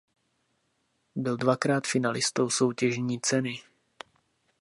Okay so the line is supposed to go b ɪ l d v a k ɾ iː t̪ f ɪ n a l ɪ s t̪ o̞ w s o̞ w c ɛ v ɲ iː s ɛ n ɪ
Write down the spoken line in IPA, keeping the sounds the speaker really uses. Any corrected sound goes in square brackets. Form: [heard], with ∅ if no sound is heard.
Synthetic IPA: b ɪ l d v a k ɾ [aː] t̪ f ɪ n a l ɪ s t̪ o̞ w s o̞ w c ɛ [ʒ] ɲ iː [t͡s] ɛ n ɪ